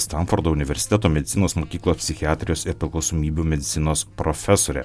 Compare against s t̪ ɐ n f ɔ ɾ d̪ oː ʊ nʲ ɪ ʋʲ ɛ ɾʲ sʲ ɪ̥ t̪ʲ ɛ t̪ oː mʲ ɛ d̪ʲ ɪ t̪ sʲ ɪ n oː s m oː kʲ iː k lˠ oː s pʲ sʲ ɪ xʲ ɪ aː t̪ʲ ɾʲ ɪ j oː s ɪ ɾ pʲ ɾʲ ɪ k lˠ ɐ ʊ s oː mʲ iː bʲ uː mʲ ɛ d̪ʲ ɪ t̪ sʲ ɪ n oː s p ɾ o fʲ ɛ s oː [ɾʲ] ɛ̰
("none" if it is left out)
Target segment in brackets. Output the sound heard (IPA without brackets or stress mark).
ɾʲ